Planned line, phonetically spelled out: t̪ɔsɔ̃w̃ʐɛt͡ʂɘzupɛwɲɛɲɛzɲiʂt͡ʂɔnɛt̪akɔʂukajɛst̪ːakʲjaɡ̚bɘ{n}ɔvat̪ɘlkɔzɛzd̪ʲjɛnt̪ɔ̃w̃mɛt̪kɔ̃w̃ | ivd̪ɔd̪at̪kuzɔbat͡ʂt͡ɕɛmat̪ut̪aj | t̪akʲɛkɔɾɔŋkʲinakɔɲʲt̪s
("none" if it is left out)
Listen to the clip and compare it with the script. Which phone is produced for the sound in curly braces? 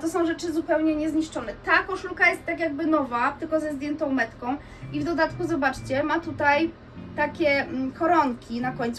n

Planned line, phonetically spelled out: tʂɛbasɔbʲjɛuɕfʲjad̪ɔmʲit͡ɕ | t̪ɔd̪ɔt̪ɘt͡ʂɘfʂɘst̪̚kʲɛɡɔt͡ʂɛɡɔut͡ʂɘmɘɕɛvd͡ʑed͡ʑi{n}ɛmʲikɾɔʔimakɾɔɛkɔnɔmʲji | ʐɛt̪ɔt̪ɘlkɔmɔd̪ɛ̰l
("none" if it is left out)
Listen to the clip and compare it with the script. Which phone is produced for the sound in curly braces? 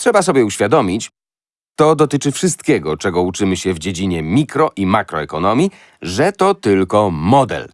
ɲ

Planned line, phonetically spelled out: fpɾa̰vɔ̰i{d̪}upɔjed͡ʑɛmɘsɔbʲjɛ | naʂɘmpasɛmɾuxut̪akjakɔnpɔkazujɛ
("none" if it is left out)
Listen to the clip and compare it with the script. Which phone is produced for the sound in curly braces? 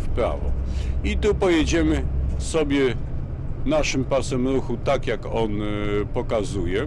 t̪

